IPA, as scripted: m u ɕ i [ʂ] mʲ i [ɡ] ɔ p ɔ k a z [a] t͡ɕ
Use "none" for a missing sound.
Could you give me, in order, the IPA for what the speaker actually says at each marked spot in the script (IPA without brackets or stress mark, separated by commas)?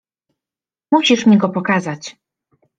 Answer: ʂ, ɡ, a